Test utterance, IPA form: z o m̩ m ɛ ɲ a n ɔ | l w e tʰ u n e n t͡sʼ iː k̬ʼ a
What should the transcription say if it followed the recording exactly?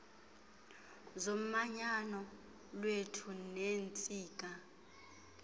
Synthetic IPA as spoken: z o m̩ m a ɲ a n ɔ | l w e tʰ u n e n t͡sʼ iː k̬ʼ a